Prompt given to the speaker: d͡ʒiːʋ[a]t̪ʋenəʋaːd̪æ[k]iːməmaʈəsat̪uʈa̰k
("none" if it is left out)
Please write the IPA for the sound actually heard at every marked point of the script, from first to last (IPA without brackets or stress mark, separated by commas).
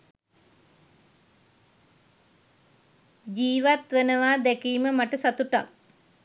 a, k